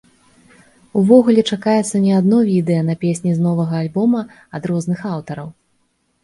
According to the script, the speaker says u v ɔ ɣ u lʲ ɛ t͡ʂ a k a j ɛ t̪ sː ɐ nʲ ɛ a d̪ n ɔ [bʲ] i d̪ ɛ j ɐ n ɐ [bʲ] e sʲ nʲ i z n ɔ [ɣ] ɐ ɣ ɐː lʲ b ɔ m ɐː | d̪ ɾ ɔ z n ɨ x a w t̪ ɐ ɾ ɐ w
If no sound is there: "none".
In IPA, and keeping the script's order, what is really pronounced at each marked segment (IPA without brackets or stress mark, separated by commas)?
vʲ, pʲ, v